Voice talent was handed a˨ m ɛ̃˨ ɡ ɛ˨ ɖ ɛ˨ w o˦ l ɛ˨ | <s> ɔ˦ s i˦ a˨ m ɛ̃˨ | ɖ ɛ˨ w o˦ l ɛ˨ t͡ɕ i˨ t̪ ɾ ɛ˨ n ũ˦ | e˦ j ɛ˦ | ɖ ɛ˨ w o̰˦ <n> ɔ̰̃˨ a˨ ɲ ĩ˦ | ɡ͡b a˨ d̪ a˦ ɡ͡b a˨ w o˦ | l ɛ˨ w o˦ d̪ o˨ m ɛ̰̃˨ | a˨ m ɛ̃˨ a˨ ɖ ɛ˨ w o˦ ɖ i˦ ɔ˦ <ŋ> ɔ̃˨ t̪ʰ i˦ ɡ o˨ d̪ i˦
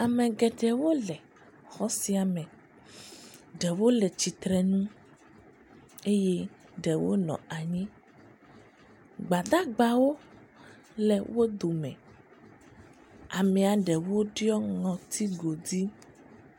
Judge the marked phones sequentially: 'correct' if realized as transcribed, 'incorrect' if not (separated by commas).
incorrect, correct, correct